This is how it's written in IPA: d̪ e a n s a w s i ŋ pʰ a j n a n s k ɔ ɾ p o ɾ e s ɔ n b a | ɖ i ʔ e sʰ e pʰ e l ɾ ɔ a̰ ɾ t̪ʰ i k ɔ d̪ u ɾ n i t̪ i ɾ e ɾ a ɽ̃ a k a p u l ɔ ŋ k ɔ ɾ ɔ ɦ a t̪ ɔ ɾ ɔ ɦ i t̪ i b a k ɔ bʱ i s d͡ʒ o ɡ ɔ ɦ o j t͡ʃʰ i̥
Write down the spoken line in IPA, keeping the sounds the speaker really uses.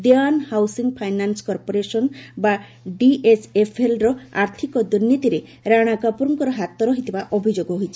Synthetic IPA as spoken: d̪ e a n h a w s i ŋ pʰ a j n a n s k ɔ ɾ p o ɾ e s ɔ n b a | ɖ i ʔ e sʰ e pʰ e l ɾ ɔ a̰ ɾ t̪ʰ i k ɔ d̪ u ɾ n i t̪ i ɾ e ɾ a ɽ̃ a k a p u ɾ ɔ ŋ k ɔ ɾ ɔ ɦ a t̪ ɔ ɾ ɔ ɦ i t̪ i b a ʔ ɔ bʱ i d͡ʒ o ɡ ɔ ɦ o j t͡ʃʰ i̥